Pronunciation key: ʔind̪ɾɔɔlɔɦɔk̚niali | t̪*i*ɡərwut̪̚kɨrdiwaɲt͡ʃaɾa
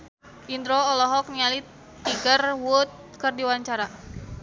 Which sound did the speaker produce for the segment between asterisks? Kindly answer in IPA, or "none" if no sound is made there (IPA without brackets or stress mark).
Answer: i